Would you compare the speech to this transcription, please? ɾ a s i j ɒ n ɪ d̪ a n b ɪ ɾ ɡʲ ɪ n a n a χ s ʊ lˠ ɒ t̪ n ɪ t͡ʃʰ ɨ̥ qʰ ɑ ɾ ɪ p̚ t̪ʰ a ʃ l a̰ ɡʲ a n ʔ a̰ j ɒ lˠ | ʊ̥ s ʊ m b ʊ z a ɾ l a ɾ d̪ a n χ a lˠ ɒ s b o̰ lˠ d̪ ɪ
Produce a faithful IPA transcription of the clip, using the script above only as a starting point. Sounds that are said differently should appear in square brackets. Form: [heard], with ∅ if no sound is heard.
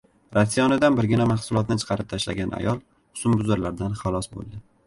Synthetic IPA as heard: ɾ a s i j ɒ n ɪ d̪ a n b ɪ ɾ ɡʲ ɪ n a [m] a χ s ʊ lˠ ɒ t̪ n ɪ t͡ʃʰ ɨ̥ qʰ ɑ ɾ ɪ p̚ t̪ʰ a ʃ l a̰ ɡʲ a n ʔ a̰ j ɒ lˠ | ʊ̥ s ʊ m b ʊ z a ɾ l a ɾ d̪ a n χ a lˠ ɒ s b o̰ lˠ d̪ ɪ